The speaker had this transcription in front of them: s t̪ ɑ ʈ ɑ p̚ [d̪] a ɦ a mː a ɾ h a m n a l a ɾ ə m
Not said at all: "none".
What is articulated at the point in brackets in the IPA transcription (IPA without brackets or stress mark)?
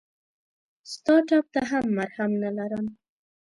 t̪